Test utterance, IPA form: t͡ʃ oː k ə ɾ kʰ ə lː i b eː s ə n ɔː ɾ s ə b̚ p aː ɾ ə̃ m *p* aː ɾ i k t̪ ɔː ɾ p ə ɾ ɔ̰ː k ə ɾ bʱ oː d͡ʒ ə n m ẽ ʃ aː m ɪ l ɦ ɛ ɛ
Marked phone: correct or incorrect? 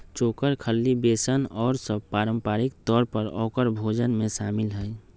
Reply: correct